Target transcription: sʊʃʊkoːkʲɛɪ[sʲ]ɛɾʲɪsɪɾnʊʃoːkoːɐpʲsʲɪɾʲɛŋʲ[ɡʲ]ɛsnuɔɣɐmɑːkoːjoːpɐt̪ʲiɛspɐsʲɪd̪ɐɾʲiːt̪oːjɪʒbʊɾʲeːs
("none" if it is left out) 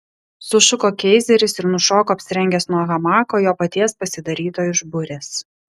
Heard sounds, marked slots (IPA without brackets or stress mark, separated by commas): zʲ, ɡʲ